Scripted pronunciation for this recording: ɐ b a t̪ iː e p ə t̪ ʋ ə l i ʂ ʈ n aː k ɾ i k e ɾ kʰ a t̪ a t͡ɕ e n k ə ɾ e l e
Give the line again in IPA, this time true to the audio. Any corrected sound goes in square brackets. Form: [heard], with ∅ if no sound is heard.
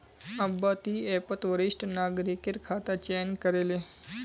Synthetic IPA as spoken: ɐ b a t̪ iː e p ə t̪ ʋ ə [ɾ] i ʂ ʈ n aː [ɡ] ɾ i k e ɾ kʰ a t̪ a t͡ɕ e n k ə ɾ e l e